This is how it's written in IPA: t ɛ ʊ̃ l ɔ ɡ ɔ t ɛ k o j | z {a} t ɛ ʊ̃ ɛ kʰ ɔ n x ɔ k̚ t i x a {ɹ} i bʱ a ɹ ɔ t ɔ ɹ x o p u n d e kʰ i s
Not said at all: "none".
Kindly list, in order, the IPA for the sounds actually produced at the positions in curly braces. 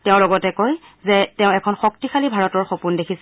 ɛ, l

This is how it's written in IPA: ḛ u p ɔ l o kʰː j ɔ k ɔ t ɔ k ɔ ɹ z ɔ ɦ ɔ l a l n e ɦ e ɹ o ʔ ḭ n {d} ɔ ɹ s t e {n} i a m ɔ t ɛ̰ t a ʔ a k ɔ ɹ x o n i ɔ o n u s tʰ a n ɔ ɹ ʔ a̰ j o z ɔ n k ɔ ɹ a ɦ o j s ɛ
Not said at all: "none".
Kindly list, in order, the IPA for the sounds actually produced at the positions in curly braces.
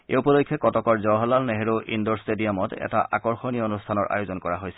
d, d

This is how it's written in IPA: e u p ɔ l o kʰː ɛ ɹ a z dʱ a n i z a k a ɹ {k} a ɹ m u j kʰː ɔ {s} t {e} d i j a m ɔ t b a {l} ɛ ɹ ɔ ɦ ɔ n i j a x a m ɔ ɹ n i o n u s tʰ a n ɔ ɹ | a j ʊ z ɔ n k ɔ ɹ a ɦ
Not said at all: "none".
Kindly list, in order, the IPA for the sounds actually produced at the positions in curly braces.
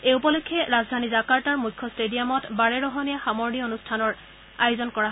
t, s, e, ɹ

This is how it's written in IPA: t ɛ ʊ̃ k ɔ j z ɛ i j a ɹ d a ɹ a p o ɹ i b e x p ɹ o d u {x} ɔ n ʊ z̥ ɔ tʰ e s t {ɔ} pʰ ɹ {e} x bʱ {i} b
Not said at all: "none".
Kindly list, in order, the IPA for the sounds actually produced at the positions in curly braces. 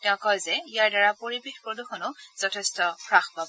x, ɔ, a, a

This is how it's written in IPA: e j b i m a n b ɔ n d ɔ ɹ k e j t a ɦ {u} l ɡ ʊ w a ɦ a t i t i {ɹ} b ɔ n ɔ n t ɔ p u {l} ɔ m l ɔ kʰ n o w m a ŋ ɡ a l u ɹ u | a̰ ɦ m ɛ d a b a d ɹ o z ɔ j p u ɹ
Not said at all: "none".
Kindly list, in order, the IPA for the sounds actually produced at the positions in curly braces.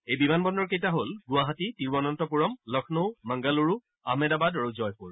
o, ɹ, ɹ

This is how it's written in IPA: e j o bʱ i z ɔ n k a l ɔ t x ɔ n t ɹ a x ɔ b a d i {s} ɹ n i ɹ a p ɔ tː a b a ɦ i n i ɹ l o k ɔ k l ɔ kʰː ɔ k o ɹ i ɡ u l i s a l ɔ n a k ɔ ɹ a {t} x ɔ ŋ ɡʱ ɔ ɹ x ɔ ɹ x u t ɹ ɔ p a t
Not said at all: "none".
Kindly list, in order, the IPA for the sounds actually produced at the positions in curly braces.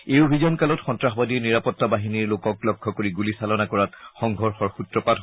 none, t

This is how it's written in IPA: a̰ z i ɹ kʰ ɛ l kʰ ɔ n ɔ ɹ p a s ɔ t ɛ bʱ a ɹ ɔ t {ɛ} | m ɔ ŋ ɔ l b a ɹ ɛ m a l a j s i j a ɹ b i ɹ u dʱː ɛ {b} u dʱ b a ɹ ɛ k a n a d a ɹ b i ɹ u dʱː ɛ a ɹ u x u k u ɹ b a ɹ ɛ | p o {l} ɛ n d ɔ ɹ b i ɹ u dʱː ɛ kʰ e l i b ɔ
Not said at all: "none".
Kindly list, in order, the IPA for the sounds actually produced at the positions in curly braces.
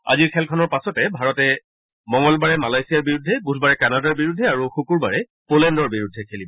ɛ, b, l

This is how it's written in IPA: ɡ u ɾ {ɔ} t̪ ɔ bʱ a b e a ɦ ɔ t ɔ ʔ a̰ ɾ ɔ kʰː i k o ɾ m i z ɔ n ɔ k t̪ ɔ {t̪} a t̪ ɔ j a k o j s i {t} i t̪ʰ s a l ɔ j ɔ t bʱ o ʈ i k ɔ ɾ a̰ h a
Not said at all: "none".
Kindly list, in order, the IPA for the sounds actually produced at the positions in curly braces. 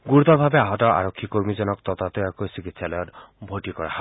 u, t̪, k

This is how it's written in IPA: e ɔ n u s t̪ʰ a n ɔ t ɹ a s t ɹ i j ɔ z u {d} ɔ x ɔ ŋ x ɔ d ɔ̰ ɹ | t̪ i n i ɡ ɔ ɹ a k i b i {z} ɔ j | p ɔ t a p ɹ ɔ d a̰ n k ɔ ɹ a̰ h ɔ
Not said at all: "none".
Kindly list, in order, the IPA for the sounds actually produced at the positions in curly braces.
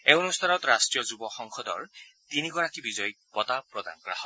b, z

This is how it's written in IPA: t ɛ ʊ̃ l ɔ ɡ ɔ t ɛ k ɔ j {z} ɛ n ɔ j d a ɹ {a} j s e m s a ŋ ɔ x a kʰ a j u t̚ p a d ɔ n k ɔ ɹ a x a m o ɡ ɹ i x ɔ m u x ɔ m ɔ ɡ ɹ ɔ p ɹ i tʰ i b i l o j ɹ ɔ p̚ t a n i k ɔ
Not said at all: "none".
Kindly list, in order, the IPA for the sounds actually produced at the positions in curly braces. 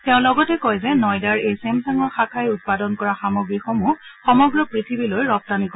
z, e

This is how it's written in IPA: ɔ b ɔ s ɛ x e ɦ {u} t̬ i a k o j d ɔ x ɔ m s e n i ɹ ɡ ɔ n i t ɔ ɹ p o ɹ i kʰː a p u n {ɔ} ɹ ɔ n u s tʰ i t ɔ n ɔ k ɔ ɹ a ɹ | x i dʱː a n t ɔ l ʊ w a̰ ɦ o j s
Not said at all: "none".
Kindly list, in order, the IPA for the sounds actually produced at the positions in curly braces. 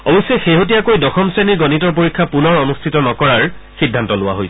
o, ɔ

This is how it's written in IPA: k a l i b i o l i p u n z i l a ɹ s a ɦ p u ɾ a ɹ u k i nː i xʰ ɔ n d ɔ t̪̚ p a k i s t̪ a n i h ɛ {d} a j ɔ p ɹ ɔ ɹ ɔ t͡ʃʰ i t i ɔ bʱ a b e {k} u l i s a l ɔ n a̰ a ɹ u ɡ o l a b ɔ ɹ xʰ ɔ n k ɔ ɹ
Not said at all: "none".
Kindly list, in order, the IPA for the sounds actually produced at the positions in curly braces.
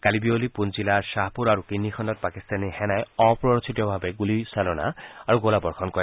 n, ɡ

